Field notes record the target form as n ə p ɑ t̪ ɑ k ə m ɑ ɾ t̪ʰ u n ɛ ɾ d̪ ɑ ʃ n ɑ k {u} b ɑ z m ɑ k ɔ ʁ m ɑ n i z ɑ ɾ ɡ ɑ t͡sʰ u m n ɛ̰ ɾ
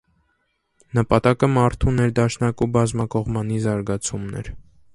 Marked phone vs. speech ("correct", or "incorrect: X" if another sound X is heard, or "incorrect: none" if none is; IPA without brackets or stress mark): correct